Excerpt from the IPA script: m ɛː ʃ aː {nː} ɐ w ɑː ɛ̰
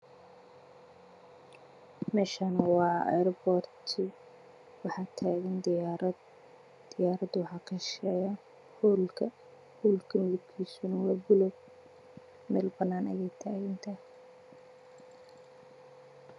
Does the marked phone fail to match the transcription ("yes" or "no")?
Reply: yes